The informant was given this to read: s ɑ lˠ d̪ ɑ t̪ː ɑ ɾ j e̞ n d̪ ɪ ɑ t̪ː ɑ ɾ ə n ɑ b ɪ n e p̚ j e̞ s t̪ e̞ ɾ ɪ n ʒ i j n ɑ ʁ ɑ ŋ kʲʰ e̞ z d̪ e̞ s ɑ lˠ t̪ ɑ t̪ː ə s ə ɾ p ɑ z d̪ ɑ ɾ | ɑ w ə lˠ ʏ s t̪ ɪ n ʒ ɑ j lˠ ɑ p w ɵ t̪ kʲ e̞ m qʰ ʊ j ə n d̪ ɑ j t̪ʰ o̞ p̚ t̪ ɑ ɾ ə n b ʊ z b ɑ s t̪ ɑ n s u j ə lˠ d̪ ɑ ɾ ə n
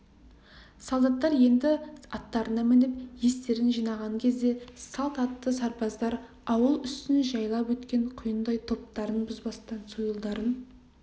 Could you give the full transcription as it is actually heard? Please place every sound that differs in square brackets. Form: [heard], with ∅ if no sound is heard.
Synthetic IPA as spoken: s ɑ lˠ d̪ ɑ t̪ː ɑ ɾ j e̞ n d̪ ɪ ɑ t̪ː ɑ ɾ ə n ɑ [m] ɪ n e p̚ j e̞ s t̪ e̞ ɾ ɪ n ʒ i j n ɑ ʁ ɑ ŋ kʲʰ e̞ z d̪ e̞ s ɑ lˠ t̪ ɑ t̪ː ə s [ɑ] ɾ p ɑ z d̪ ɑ ɾ | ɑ w ə lˠ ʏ s t̪ ɪ n ʒ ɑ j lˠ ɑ p w ɵ t̪ kʲ e̞ [ɴ] qʰ ʊ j ə n d̪ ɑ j t̪ʰ o̞ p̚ t̪ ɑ ɾ ə n b ʊ z b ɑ s t̪ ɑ n s u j ə lˠ d̪ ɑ ɾ ə n

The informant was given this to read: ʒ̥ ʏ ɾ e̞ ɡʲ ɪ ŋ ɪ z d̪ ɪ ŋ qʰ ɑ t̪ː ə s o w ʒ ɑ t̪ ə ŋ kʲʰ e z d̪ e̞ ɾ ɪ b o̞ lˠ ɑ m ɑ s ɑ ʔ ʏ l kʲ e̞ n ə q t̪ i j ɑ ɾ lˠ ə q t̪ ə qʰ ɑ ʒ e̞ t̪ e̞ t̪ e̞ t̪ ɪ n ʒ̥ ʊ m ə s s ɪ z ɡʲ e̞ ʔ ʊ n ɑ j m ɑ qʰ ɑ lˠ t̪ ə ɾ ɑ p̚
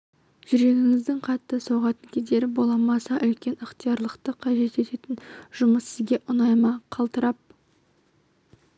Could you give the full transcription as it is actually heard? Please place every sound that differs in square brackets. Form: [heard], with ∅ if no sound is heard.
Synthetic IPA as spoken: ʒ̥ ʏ ɾ e̞ ɡʲ ɪ ŋ ɪ z d̪ ɪ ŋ qʰ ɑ t̪ː ə s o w [ʁ] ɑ t̪ ə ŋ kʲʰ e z d̪ e̞ ɾ ɪ b o̞ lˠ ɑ m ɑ s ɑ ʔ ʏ l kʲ e̞ n ə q t̪ i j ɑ ɾ lˠ ə q t̪ ə qʰ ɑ ʒ e̞ t̪ e̞ t̪ e̞ t̪ ɪ n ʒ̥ ʊ m ə s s ɪ z ɡʲ e̞ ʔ ʊ n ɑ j m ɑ qʰ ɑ lˠ t̪ ə ɾ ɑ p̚

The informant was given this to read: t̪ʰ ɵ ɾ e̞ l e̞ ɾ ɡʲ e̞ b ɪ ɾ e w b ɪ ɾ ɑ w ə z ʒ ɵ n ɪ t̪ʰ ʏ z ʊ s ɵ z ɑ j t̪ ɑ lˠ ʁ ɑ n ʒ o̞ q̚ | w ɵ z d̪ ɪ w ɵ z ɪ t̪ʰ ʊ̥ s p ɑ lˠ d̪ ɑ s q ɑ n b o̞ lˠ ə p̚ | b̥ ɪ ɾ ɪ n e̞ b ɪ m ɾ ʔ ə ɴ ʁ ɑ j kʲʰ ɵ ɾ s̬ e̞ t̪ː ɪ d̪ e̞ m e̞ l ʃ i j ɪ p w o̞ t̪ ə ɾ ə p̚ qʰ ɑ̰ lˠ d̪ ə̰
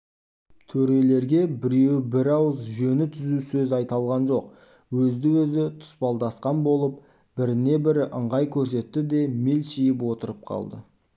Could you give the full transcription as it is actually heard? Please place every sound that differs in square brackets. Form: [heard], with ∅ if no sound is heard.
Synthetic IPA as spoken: t̪ʰ ɵ ɾ e̞ l e̞ ɾ ɡʲ e̞ b ɪ ɾ e w b ɪ ɾ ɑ w ə z ʒ ɵ n ɪ t̪ʰ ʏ z [u] s ɵ z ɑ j t̪ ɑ lˠ ʁ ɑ n ʒ o̞ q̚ | w ɵ z d̪ ɪ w ɵ z ɪ t̪ʰ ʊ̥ s p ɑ lˠ d̪ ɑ s q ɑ n b o̞ lˠ ə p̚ | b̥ ɪ ɾ ɪ n e̞ b ɪ [∅] ɾ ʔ ə ɴ ʁ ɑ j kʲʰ ɵ ɾ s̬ e̞ t̪ː ɪ d̪ e̞ m e̞ l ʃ i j ɪ p w o̞ t̪ ə ɾ ə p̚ qʰ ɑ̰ lˠ d̪ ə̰

